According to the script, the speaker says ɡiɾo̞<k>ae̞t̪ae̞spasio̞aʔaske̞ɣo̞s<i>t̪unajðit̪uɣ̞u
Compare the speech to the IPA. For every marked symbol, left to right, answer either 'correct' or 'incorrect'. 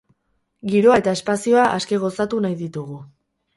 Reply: incorrect: none, incorrect: a

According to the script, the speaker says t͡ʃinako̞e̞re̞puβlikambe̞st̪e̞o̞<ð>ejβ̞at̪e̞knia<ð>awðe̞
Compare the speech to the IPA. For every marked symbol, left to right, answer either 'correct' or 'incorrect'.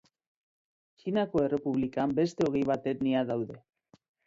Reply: incorrect: ɣ, correct

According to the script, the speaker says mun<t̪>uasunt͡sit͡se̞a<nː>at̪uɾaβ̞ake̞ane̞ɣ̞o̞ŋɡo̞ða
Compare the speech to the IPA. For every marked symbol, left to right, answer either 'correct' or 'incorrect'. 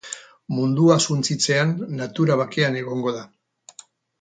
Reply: incorrect: d̪, correct

